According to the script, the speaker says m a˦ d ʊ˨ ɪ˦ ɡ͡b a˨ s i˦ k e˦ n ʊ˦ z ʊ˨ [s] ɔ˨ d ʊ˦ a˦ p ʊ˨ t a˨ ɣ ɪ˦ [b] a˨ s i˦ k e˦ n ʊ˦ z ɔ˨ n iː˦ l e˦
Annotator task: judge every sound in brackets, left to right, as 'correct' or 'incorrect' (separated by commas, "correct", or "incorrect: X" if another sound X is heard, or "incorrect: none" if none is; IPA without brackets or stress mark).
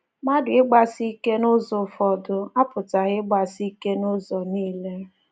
incorrect: f, incorrect: ɡ͡b